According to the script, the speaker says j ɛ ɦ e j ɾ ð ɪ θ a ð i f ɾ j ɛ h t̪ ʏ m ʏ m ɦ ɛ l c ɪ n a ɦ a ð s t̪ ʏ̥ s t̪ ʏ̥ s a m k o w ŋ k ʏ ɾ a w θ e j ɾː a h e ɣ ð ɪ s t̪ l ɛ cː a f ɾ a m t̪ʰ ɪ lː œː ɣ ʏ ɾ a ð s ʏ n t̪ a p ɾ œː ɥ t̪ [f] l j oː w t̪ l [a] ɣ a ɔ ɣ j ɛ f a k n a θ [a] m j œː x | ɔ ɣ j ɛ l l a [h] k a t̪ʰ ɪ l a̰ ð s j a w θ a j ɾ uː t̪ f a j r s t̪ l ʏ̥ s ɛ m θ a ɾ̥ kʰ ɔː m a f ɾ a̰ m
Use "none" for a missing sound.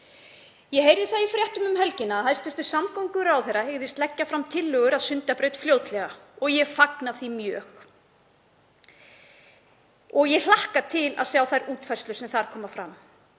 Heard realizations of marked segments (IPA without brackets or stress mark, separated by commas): f, ɛ, i, h